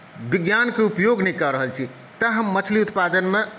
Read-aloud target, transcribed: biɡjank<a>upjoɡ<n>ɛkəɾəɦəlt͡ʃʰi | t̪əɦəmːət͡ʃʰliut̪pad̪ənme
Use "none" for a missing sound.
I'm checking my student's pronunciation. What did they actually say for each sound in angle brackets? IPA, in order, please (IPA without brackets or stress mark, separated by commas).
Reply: e, n